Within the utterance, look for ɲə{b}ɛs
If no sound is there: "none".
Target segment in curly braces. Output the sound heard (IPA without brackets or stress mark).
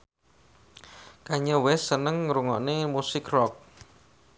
w